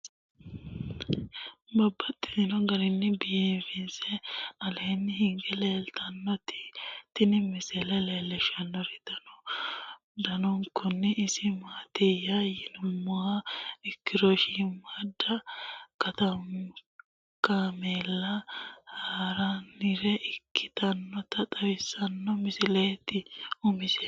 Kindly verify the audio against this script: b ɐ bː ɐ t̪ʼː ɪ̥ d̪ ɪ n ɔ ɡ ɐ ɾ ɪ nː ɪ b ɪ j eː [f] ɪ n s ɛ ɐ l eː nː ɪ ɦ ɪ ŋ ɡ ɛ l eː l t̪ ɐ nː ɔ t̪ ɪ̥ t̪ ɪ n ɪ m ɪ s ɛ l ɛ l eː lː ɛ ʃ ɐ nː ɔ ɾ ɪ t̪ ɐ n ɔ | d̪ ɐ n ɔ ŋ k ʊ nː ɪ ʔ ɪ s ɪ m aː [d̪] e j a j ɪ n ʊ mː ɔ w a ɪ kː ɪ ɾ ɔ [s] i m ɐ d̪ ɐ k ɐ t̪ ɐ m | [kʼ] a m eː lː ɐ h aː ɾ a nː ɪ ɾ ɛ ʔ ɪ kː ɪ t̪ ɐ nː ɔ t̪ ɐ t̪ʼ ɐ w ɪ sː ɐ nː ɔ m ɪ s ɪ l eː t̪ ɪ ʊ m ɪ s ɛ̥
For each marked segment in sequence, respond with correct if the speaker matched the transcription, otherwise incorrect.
correct, incorrect: t̪, incorrect: ʃ, incorrect: k

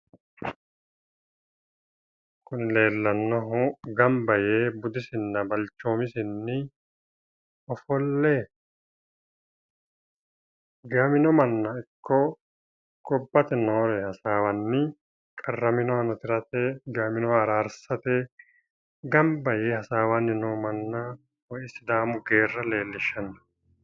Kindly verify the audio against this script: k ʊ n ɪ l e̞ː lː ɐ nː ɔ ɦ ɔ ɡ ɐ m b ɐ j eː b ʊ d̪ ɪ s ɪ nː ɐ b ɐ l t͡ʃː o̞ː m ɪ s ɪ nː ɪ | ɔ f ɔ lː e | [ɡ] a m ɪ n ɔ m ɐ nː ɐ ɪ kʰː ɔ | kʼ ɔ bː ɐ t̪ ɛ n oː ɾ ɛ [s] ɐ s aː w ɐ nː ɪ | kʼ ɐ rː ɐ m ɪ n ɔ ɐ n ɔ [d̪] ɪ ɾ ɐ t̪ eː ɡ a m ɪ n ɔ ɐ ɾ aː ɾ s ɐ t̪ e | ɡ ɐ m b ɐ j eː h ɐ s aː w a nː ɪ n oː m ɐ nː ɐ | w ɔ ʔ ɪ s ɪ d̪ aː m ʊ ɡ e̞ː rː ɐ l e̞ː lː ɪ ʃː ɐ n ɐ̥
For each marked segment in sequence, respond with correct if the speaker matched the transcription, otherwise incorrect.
correct, incorrect: h, incorrect: t̪

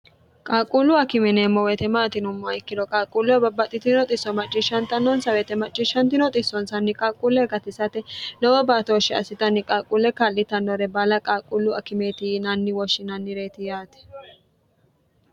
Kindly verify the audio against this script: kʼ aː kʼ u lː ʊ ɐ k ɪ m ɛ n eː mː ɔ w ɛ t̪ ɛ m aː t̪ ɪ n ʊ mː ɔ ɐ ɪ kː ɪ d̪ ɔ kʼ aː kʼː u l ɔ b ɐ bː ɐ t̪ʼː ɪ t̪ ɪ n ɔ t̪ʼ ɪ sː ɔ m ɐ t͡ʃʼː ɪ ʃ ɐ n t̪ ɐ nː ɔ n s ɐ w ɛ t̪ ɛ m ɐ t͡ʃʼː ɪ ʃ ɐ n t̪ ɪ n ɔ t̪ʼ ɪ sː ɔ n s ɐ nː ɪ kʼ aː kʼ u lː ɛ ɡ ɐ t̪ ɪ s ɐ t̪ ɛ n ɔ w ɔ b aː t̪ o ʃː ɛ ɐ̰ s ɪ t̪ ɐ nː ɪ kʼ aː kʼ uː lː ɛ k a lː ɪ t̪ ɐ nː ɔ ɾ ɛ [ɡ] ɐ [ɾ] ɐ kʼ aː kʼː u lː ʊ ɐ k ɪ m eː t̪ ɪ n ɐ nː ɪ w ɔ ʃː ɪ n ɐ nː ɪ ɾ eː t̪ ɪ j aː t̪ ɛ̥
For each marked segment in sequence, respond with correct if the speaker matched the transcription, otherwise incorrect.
incorrect: b, incorrect: l

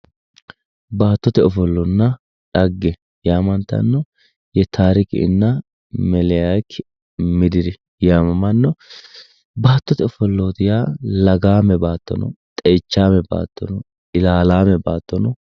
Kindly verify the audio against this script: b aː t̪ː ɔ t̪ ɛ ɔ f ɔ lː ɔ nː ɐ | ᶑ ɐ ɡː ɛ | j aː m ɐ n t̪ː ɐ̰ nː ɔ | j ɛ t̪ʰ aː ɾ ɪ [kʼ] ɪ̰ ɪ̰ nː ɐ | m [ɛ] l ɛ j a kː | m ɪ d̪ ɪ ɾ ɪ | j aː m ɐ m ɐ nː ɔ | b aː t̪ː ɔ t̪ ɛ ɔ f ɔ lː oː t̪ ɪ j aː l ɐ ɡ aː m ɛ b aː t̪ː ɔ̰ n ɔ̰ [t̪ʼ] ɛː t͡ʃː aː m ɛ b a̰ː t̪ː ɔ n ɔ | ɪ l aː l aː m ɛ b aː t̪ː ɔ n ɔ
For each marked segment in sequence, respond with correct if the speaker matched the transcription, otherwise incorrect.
incorrect: k, correct, correct

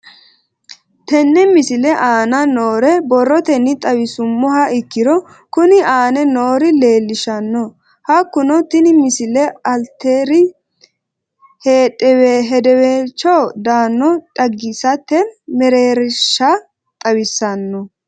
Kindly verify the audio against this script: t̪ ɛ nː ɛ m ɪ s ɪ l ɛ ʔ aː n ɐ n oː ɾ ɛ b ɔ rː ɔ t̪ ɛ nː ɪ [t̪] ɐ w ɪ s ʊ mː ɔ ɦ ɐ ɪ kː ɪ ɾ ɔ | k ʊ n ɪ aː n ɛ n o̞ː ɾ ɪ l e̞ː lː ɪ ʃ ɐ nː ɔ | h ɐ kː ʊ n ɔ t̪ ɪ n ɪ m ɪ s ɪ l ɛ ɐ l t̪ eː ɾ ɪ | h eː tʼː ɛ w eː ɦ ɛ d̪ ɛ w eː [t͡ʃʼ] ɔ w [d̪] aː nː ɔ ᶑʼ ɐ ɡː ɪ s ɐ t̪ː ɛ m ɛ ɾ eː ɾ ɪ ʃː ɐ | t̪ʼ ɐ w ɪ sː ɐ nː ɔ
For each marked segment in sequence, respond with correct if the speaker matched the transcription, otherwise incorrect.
incorrect: t̪ʼ, incorrect: t͡ʃ, correct

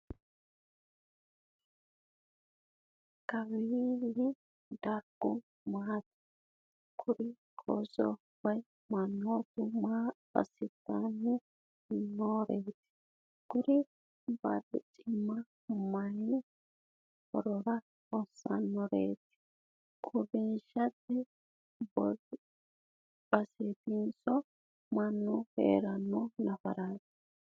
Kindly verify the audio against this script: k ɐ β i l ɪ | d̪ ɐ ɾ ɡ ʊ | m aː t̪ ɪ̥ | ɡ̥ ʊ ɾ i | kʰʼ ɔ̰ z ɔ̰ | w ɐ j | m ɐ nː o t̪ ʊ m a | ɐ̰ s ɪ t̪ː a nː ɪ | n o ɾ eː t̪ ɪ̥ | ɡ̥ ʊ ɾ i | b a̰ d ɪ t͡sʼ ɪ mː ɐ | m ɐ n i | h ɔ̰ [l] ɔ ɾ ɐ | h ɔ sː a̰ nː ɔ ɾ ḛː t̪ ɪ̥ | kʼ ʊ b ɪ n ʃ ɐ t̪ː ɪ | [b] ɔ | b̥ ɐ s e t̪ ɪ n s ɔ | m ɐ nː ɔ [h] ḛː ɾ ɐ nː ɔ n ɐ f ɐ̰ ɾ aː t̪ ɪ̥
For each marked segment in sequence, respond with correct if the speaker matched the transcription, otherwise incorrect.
incorrect: ɾ, correct, correct

